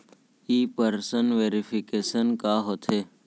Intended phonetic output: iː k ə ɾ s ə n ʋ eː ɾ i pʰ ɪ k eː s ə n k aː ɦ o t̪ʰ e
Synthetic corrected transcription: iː p ə ɾ s ə n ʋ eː ɾ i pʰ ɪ k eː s ə n k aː ɦ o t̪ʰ e